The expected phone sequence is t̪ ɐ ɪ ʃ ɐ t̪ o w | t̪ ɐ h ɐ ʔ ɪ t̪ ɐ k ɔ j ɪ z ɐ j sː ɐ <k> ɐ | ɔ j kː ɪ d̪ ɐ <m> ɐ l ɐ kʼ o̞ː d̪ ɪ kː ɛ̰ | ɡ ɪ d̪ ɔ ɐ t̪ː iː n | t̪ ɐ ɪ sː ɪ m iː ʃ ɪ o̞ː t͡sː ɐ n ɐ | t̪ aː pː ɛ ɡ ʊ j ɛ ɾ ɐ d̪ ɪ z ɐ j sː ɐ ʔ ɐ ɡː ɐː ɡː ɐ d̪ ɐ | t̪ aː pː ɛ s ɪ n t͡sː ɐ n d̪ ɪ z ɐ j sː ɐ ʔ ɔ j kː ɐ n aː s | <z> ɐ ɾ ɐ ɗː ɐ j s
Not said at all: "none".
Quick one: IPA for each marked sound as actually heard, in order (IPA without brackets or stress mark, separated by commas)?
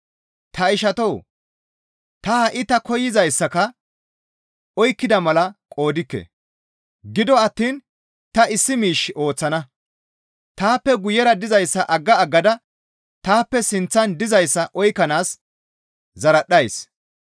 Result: k, m, z